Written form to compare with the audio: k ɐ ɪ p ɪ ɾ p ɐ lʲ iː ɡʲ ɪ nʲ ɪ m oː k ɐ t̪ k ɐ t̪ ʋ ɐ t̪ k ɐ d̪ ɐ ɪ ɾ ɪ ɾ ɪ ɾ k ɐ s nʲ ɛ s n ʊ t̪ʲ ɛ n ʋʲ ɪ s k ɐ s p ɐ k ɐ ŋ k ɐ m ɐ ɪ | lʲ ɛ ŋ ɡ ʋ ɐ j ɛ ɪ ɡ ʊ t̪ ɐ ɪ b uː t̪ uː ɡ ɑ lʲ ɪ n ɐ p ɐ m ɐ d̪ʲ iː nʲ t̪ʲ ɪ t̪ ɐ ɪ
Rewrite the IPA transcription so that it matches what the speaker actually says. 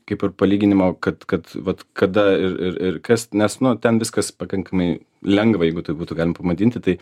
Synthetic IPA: k ɐ ɪ p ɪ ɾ p ɐ lʲ iː ɡʲ ɪ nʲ ɪ m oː k ɐ t̪ k ɐ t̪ ʋ ɐ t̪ k ɐ d̪ ɐ ɪ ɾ ɪ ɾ ɪ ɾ k ɐ s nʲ ɛ s n ʊ t̪ʲ ɛ n ʋʲ ɪ s k ɐ s p ɐ k ɐ ŋ k ɐ m ɐ ɪ | lʲ ɛ ŋ ɡ ʋ ɐ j ɛ ɪ ɡ ʊ t̪ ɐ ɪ b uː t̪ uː ɡ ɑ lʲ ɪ m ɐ p ɐ m ɐ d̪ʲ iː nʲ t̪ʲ ɪ t̪ ɐ ɪ